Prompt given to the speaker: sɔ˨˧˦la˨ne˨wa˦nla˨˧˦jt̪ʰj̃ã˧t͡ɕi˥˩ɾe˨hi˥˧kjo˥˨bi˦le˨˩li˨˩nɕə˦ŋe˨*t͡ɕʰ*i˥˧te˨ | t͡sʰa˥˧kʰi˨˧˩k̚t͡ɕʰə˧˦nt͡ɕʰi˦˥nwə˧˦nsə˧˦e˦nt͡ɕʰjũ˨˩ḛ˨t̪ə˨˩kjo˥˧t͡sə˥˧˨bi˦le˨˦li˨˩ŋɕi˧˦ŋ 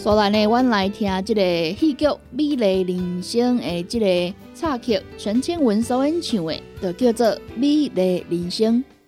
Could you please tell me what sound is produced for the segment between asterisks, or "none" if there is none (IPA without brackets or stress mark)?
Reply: t͡ɕ